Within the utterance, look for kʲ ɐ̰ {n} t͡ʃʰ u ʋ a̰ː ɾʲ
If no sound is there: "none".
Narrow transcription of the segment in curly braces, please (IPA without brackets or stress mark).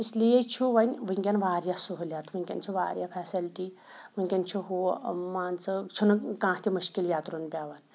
n